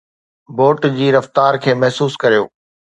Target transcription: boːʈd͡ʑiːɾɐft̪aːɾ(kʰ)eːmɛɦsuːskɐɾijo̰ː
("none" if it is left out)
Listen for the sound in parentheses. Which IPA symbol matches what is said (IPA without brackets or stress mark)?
kʰ